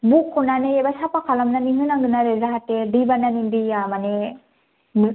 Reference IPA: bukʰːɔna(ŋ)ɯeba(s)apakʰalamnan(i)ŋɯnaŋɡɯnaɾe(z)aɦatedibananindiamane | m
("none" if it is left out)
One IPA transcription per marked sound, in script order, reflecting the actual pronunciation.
n, s, i, z

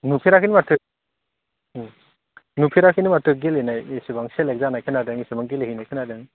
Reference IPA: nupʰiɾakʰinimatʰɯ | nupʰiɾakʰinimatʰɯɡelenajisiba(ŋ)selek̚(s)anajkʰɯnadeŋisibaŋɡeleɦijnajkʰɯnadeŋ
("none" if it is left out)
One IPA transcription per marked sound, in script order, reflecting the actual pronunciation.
ŋ, z

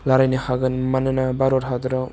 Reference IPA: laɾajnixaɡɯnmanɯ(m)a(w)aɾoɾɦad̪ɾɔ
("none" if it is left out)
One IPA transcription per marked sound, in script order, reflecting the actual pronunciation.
n, b

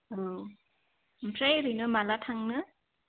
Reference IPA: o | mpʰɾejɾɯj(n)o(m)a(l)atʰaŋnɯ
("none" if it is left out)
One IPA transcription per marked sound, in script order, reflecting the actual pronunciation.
n, m, l

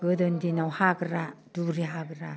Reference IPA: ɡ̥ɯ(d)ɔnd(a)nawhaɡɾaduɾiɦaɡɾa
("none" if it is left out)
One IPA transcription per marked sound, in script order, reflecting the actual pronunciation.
d, i

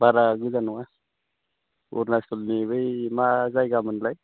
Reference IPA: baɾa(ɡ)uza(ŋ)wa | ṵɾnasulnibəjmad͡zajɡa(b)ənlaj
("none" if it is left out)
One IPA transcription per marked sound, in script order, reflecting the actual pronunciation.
ɡ, n, m

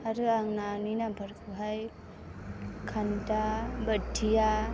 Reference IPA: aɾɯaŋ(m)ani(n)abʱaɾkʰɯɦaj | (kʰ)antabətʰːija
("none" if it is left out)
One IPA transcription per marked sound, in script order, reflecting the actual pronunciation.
n, n, kʰ

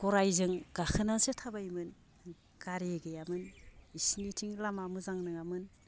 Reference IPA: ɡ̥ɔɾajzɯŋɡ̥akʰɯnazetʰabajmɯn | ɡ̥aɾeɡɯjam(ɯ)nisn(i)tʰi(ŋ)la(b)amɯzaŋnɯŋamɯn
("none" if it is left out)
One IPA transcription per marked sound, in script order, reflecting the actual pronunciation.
ɯ, i, ŋ, m

